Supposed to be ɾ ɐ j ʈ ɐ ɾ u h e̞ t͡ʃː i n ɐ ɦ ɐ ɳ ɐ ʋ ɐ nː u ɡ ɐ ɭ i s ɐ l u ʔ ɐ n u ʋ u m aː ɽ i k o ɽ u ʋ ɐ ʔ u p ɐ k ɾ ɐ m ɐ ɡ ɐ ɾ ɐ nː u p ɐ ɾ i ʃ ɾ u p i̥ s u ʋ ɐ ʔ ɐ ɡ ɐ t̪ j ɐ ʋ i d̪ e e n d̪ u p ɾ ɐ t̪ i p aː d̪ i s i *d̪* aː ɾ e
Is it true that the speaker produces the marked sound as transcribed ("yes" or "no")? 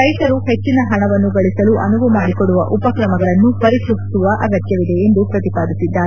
no